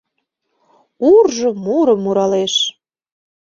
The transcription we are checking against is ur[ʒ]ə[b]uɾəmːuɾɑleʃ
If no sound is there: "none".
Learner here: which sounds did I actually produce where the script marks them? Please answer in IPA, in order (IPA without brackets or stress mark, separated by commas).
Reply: ʒ, m